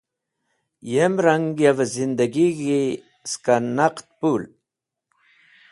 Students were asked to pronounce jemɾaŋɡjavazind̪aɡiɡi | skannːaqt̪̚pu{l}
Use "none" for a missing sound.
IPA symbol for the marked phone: l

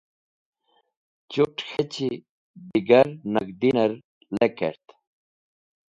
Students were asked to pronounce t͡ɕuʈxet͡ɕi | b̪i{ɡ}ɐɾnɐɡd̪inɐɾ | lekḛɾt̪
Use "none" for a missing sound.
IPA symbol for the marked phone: ɡ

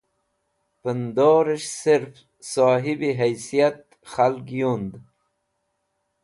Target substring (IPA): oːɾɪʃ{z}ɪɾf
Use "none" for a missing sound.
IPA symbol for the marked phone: s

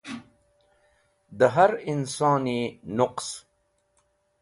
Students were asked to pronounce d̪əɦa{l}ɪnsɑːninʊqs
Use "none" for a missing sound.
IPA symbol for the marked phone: ɾ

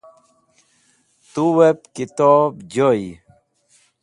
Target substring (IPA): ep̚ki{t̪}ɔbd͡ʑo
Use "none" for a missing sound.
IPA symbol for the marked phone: t̪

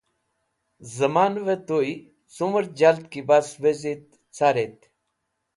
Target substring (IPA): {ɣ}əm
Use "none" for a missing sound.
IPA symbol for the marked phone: z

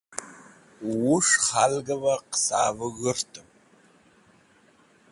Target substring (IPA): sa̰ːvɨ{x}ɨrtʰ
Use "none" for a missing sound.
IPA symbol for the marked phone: ɣ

